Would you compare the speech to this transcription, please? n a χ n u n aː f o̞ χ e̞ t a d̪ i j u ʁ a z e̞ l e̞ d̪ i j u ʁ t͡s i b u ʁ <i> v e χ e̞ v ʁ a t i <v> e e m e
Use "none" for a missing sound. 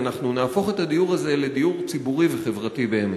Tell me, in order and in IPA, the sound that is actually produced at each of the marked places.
i, b

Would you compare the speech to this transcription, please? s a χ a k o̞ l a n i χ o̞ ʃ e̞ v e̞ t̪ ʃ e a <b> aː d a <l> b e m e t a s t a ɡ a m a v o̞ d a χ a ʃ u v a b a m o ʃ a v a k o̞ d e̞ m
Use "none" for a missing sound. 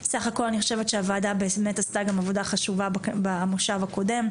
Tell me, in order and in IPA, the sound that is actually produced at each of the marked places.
v, none

